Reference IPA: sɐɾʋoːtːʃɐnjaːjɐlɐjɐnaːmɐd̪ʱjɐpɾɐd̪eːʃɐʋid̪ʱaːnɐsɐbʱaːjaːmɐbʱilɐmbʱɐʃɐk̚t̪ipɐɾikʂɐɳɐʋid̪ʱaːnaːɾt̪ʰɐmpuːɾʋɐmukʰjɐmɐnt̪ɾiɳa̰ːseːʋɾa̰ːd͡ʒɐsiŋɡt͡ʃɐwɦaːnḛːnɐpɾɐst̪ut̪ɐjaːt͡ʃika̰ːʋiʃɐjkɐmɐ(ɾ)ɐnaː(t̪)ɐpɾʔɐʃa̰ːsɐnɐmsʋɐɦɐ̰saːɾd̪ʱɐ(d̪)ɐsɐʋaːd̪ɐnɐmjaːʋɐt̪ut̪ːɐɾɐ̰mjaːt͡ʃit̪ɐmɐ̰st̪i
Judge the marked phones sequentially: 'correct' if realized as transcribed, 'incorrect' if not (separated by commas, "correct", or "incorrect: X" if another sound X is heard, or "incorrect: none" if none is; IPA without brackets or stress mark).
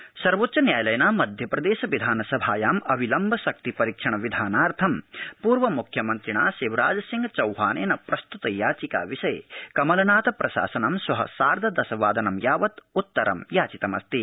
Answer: incorrect: l, correct, correct